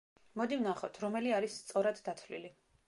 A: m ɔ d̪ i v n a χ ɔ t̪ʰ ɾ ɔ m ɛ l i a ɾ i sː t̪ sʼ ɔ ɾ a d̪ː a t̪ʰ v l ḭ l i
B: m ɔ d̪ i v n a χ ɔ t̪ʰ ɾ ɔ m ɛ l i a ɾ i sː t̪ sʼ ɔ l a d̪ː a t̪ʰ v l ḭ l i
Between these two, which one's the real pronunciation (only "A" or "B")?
A